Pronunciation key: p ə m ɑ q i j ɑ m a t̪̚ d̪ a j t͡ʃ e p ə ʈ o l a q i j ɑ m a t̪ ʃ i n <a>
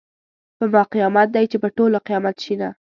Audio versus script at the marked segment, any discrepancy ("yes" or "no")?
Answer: no